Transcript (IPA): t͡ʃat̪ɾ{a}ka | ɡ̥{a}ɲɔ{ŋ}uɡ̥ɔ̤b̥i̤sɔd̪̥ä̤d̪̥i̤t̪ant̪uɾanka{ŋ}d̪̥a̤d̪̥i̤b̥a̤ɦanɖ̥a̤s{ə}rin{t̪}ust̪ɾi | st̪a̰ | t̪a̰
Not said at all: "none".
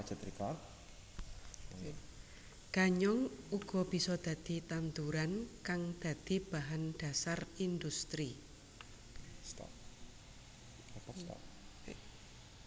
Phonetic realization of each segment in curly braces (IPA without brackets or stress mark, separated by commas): i, a, ŋ, ŋ, a, d̪